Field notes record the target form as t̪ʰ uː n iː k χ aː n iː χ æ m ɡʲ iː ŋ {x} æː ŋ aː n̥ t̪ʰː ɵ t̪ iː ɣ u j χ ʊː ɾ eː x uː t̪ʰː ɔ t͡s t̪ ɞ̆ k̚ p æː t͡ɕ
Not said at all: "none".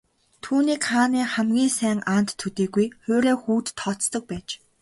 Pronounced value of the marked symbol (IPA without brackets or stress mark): s